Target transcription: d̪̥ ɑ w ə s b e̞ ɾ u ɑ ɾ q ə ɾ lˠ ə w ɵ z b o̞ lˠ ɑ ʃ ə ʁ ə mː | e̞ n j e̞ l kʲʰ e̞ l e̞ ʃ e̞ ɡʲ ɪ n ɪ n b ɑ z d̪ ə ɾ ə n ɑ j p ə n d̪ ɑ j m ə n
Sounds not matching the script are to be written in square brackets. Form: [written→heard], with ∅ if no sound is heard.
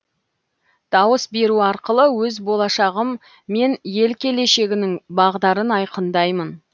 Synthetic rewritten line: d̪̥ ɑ w ə s b e̞ ɾ u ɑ ɾ q ə [ɾ→∅] lˠ ə w ɵ z b o̞ lˠ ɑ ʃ [ə→ɑ] ʁ ə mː | e̞ n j e̞ l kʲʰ e̞ l e̞ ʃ e̞ ɡʲ ɪ n ɪ [n→ŋ] b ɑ [z→ʁ] d̪ [ə→ɑ] ɾ ə n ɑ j [p→q] ə n d̪ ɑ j m ə n